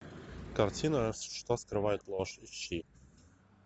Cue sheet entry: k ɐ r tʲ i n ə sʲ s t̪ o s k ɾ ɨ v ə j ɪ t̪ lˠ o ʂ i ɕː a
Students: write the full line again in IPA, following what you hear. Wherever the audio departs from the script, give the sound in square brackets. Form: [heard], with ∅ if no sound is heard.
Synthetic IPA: k ɐ r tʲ i n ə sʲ [ʂ] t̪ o s k ɾ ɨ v [a] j ɪ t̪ lˠ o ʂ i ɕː [i]

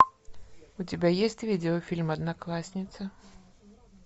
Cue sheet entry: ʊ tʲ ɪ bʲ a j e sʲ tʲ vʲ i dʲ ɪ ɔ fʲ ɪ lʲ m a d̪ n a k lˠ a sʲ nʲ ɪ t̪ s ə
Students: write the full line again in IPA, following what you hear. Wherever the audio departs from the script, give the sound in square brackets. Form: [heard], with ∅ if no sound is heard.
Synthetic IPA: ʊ tʲ ɪ bʲ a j e sʲ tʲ vʲ i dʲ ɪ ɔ fʲ [i] lʲ m [ɐ] d̪ n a k lˠ a sʲ nʲ ɪ t̪ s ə

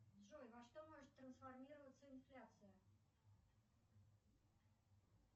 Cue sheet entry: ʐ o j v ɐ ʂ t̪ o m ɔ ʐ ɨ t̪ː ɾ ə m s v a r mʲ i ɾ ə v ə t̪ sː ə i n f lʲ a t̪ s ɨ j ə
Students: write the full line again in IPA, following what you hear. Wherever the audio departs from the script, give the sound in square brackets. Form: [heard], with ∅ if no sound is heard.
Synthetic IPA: ʐ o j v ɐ ʂ t̪ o m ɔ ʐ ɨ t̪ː ɾ ə [n] s [f] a r mʲ i ɾ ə v ə t̪ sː ə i n f lʲ a t̪ s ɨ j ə

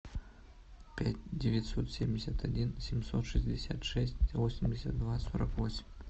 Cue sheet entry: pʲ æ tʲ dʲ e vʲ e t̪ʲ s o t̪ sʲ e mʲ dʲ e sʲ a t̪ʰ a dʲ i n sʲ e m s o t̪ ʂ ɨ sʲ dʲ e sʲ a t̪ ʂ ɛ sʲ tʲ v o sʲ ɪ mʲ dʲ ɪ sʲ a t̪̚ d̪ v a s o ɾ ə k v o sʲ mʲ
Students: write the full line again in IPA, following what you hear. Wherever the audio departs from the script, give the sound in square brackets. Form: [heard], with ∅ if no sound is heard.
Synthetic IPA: pʲ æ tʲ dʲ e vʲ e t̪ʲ s o t̪ sʲ e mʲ dʲ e sʲ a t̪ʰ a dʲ i n sʲ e m s o t̪ ʂ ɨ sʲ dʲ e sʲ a t̪ ʂ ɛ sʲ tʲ v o sʲ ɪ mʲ dʲ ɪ sʲ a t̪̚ d̪ v a s o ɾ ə k v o sʲ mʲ

